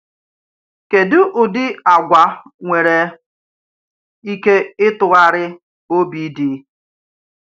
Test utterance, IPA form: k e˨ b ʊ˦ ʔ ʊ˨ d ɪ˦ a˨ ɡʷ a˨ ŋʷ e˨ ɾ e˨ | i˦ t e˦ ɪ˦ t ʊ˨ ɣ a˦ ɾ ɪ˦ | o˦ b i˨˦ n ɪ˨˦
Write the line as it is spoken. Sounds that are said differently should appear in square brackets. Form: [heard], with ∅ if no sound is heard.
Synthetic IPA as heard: k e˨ [d] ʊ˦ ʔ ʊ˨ d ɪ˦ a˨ ɡʷ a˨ ŋʷ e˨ ɾ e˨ | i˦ [k] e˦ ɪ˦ t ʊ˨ ɣ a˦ ɾ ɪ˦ | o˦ b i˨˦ [d] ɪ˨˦

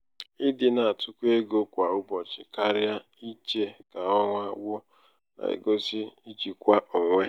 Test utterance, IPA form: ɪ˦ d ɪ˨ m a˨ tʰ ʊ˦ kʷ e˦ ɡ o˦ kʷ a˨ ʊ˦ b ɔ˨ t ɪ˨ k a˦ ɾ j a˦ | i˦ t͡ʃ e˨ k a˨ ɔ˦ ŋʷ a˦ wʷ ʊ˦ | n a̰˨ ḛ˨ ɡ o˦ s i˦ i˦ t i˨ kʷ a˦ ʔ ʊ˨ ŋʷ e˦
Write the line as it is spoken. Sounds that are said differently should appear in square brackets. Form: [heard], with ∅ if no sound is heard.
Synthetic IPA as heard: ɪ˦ d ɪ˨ [n] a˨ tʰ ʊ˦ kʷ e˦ ɡ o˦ kʷ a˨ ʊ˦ b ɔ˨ [t͡ʃ] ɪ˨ k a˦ ɾ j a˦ | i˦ t͡ʃ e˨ k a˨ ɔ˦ ŋʷ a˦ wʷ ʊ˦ | n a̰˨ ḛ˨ ɡ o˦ s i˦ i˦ [t͡ʃ] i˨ kʷ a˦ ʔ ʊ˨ ŋʷ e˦

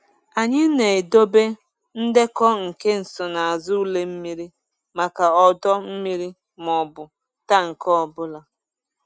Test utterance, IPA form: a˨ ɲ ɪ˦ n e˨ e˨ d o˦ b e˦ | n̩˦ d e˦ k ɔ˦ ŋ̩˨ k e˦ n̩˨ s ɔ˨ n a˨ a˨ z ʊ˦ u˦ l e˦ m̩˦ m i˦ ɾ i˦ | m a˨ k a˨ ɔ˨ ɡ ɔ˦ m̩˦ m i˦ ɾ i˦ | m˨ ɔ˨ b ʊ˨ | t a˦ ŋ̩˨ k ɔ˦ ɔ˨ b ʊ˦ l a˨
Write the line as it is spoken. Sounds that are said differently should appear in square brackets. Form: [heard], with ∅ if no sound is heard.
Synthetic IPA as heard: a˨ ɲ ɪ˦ n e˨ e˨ d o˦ b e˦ | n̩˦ d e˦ k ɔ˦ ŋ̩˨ k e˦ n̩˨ s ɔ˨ n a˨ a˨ z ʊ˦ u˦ l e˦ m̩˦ m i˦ ɾ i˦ | m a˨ k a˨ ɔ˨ [d] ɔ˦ m̩˦ m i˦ ɾ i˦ | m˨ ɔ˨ b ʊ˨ | t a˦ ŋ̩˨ k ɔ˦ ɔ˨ b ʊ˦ l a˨

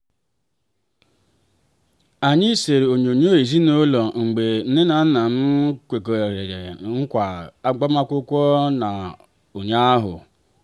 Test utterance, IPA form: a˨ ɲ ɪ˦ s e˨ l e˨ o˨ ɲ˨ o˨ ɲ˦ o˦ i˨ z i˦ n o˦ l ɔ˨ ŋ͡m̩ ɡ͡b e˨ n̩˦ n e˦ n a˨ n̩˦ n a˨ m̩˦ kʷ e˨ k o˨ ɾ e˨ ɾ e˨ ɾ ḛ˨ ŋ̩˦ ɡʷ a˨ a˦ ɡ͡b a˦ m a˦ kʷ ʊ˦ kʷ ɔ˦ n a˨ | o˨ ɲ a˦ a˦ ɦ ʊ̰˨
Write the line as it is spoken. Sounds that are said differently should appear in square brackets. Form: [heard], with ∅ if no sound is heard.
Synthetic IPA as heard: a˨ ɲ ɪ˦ s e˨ [ɾ] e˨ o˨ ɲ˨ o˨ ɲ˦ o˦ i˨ z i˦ n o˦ l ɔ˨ ŋ͡m̩ ɡ͡b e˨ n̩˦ n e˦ n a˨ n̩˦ n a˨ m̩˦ kʷ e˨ k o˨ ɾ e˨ ɾ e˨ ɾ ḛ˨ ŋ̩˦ [kʷ] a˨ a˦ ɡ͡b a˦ m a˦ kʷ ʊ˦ kʷ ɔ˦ n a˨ | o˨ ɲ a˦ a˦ ɦ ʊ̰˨

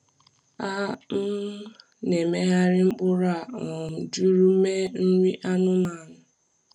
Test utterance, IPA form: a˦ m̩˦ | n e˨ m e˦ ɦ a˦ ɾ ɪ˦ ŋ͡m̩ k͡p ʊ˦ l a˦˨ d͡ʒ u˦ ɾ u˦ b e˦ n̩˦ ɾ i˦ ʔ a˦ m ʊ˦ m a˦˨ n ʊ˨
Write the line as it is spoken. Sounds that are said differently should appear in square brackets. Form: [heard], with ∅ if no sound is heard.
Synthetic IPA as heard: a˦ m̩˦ | n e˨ m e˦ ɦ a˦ ɾ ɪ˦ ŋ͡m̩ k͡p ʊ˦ [ɾ] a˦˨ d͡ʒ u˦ ɾ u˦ [m] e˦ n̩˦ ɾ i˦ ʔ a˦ [n] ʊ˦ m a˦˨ n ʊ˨

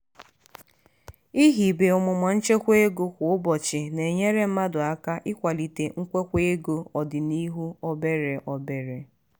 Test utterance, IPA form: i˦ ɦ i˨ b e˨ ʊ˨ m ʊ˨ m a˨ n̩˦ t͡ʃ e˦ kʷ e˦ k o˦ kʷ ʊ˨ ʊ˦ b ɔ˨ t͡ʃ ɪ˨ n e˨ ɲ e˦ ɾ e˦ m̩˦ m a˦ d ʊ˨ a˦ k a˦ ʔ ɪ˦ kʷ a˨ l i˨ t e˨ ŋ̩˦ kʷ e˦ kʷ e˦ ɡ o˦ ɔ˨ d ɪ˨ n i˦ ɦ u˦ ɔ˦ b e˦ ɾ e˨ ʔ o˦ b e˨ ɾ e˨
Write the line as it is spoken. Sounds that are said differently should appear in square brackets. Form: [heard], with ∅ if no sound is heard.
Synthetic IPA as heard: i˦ ɦ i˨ b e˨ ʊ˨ m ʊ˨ m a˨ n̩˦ t͡ʃ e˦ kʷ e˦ [ɡ] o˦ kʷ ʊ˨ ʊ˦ b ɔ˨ t͡ʃ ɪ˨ n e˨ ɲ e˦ ɾ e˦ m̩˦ m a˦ d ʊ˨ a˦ k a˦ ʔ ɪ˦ kʷ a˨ l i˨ t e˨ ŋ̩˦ kʷ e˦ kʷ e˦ ɡ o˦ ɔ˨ d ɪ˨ n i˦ ɦ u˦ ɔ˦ b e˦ ɾ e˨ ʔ [ɔ˦] b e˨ ɾ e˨

